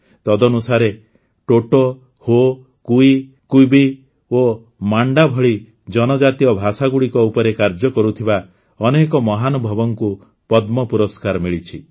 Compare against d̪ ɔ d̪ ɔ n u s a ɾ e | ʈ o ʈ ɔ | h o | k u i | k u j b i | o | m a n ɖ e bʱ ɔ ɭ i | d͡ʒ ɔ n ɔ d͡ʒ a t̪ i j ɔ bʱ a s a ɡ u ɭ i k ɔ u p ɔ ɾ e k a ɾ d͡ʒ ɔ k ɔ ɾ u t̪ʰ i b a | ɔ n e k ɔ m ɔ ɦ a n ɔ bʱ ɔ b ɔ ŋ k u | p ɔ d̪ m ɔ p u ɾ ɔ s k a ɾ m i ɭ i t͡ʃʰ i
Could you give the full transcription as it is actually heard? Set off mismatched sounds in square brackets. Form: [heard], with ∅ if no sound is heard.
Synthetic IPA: [t̪] ɔ d̪ ɔ n u s a ɾ e | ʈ o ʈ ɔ | h o | k u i | k u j b i | o | m a [ɳ] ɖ [a] bʱ ɔ ɭ i | d͡ʒ ɔ n ɔ d͡ʒ a t̪ i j ɔ bʱ a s a ɡ u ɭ i k ɔ u p ɔ ɾ e k a ɾ d͡ʒ ɔ k ɔ ɾ u t̪ʰ i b a | ɔ n e k ɔ m ɔ ɦ a n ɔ bʱ ɔ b ɔ ŋ k u | p ɔ d̪ m ɔ p u ɾ ɔ s k a ɾ m i ɭ i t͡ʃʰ i